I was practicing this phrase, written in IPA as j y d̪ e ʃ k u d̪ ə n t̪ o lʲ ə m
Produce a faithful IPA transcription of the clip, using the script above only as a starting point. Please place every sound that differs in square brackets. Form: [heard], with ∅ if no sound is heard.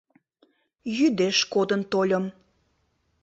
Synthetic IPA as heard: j y d̪ e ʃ k [o] d̪ ə n t̪ o lʲ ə m